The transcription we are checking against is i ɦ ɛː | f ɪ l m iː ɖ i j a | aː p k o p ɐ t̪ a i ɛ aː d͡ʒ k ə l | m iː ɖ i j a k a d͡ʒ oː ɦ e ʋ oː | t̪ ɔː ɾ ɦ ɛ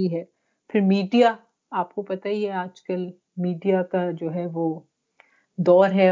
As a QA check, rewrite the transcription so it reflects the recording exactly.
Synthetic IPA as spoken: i ɦ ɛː | f ɪ ɾ m iː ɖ i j a | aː p k o p ɐ t̪ a i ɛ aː d͡ʒ k ə l | m iː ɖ i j a k a d͡ʒ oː ɦ ɛ ʋ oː | d̪ ɔː ɾ ɦ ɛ